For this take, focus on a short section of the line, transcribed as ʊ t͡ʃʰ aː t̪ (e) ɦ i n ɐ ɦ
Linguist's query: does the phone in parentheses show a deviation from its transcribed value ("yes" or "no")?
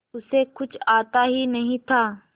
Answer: yes